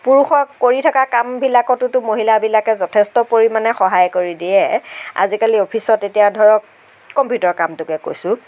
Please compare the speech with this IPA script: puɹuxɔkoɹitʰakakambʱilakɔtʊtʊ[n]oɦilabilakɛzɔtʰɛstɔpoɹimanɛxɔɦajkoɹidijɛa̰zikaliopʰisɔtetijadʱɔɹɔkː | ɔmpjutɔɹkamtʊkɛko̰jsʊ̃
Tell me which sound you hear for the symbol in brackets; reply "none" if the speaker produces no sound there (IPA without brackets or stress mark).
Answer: m